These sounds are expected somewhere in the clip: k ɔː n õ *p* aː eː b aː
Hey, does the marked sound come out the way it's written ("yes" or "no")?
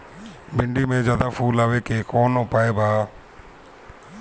yes